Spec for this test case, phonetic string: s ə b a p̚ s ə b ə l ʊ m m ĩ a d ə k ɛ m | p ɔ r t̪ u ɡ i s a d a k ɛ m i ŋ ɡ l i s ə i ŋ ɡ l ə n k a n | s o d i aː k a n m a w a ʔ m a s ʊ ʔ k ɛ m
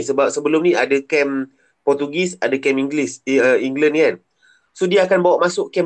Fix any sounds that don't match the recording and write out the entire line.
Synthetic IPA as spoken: s ə b a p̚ s ə b ə l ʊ m n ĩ a d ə k ɛ m | p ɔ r t̪ u ɡ i s a d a k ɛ m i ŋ ɡ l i s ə i ŋ ɡ l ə n k a n | s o d i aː k a n b a w a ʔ m a s ʊ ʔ k ɛ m